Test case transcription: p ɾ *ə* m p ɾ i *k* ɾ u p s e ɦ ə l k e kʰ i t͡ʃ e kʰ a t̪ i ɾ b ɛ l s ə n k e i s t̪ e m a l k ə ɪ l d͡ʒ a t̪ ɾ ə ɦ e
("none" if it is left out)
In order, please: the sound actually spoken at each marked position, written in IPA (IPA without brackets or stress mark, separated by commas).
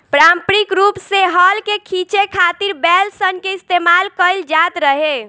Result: a, k